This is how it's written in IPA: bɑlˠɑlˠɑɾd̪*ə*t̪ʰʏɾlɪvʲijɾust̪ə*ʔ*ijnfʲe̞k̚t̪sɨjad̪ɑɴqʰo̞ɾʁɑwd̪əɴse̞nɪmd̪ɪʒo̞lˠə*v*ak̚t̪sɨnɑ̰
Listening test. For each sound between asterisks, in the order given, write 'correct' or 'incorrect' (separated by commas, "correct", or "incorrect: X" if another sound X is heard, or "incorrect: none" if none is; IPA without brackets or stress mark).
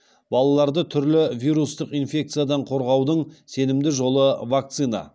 correct, incorrect: q, correct